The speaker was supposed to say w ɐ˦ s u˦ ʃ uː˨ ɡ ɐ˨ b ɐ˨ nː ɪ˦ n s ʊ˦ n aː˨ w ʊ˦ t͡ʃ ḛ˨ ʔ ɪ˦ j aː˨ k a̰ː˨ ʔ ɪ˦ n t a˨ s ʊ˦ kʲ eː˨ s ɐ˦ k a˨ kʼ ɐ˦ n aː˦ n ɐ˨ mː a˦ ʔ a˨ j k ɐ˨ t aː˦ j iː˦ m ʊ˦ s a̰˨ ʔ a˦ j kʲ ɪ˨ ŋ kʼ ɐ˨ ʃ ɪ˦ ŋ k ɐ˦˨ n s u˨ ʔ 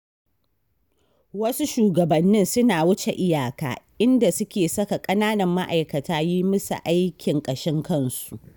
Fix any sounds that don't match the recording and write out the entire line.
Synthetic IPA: w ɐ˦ s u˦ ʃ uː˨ ɡ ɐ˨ b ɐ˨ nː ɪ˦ n s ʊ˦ n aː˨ w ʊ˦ t͡ʃ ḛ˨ ʔ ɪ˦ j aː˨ k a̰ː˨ ʔ ɪ˦ n d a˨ s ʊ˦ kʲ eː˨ s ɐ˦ k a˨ kʼ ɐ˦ n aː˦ n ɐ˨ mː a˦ ʔ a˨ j k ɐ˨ t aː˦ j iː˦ m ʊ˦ s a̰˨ ʔ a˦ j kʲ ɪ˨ ŋ kʼ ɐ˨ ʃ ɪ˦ ŋ k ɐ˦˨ n s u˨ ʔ

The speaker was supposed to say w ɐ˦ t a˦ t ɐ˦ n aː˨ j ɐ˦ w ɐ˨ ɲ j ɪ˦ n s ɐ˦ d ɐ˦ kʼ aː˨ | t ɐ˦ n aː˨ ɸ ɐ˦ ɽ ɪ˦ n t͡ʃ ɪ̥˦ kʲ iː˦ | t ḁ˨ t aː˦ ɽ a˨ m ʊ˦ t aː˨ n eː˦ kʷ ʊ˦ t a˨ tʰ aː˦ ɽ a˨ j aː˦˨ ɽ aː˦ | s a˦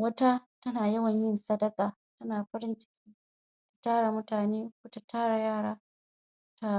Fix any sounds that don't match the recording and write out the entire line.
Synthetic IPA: w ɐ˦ t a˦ t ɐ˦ n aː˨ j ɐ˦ w ɐ˨ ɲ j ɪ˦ n s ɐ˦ d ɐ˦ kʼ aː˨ | t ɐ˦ n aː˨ ɸ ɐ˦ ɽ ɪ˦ n t͡ʃ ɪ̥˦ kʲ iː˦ | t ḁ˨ t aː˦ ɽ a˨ m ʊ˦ t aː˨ n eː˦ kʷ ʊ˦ t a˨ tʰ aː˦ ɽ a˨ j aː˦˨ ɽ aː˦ | t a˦

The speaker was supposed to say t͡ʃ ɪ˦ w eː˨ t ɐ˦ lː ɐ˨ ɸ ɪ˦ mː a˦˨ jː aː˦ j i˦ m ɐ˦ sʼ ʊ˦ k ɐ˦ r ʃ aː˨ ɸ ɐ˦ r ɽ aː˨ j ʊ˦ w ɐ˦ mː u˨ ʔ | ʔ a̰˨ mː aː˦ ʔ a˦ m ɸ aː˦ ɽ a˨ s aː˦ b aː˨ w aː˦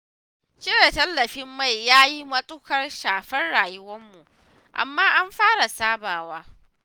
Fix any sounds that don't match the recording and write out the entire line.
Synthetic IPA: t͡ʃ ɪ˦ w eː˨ t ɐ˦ lː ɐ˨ ɸ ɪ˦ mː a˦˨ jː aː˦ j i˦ m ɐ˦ sʼ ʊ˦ k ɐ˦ r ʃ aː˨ ɸ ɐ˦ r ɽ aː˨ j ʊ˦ w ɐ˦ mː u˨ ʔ | ʔ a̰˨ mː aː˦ ʔ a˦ m ɸ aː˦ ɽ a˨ s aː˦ b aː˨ w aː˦

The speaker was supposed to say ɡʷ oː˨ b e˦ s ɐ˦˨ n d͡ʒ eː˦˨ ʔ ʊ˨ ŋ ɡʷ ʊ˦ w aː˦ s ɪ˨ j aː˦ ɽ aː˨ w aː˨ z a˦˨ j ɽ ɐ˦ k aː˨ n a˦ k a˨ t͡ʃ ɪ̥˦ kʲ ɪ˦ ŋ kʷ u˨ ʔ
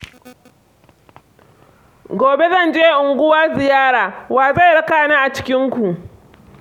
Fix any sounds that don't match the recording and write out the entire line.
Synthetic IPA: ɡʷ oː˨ b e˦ z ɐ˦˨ n d͡ʒ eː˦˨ ʔ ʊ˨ ŋ ɡʷ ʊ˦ w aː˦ z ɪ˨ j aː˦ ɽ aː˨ w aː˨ z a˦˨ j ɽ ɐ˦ k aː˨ n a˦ ʔ a˨ t͡ʃ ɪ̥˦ kʲ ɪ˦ ŋ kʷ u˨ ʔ

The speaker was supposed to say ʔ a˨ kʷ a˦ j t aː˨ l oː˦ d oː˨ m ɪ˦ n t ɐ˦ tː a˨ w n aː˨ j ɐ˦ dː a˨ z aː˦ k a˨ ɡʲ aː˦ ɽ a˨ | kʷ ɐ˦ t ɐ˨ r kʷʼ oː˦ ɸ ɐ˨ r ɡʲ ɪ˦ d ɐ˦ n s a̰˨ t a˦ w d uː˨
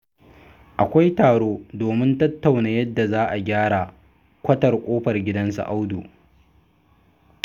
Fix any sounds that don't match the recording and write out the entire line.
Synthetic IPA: ʔ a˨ kʷ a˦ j t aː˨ ɽ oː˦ d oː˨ m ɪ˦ n t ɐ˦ tː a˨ w n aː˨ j ɐ˦ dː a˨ z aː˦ ʔ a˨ ɡʲ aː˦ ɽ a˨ | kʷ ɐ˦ t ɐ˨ r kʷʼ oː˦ ɸ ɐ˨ r ɡʲ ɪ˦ d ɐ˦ n s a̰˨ ʔ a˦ w d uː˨

